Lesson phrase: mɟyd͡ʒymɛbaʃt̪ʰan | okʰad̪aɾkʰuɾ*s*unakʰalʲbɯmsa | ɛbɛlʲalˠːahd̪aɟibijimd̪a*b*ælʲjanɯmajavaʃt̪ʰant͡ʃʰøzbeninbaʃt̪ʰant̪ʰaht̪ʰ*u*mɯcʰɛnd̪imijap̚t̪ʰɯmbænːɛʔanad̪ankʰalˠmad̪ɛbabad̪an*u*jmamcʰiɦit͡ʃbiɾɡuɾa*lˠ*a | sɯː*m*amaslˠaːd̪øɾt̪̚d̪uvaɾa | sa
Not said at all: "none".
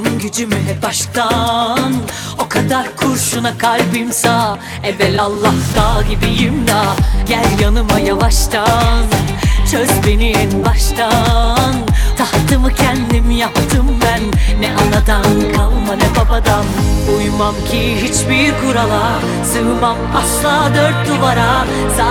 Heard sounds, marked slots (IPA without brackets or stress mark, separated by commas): ʃ, ɟ, ɯ, u, lˠ, m